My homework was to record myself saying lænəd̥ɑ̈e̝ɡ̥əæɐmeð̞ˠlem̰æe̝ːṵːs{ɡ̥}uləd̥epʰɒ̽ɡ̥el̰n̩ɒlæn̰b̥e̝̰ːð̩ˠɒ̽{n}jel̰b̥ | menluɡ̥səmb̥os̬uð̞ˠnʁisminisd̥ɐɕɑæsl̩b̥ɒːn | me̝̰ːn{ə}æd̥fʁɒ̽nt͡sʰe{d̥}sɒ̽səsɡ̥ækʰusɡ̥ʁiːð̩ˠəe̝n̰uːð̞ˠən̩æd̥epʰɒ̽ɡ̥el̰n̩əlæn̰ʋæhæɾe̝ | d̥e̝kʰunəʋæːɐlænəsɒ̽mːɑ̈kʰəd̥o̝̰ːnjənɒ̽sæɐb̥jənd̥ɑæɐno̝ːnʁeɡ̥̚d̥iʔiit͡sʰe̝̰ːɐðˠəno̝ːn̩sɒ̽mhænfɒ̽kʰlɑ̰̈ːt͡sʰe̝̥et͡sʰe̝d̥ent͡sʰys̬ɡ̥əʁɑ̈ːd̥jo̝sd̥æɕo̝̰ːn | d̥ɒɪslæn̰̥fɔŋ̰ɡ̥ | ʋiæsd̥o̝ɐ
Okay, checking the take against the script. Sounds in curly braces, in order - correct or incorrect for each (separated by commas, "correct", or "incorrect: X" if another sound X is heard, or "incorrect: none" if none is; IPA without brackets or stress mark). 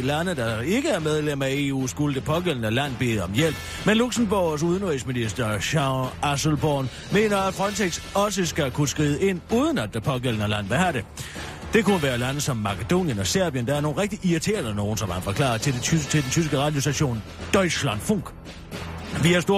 correct, incorrect: m, incorrect: ɐ, incorrect: ɡ̥